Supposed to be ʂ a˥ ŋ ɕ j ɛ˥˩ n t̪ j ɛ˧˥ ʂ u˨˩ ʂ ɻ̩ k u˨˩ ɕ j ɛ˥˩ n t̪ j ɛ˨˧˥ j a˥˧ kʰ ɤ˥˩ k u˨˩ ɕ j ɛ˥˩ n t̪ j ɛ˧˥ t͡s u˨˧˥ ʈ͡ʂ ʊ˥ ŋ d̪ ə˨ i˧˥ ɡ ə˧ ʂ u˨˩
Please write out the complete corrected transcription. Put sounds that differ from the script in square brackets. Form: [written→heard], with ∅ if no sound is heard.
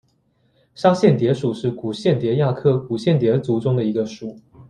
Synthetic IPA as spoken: ʂ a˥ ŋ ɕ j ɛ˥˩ n t̪ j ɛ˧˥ ʂ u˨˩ ʂ ɻ̩ k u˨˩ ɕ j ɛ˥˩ n t̪ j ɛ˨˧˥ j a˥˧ kʰ ɤ˥˩ k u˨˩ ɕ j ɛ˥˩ n t̪ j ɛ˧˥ t͡s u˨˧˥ ʈ͡ʂ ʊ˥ ŋ d̪ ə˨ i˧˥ ɡ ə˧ ʂ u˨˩